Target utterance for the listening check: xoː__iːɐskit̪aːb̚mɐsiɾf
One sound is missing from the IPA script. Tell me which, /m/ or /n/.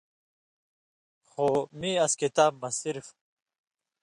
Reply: m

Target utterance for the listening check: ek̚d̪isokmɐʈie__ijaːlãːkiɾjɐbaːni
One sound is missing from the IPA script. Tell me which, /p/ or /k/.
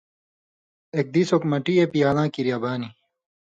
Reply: p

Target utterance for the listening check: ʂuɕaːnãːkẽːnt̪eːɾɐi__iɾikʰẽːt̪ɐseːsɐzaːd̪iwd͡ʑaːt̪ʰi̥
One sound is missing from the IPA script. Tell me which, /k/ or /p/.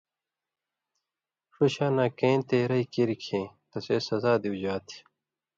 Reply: k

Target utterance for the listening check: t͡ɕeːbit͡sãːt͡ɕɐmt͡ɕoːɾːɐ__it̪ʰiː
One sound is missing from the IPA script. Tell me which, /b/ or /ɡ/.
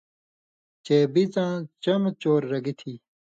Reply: ɡ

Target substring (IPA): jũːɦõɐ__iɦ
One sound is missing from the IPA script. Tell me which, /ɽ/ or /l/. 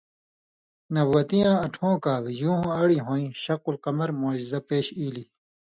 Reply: ɽ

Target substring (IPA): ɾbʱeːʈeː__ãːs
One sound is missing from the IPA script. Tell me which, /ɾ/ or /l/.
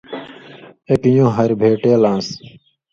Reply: l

